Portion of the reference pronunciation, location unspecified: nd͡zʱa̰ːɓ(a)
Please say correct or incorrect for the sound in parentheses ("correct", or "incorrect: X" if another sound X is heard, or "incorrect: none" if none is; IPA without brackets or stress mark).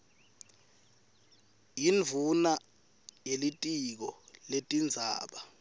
correct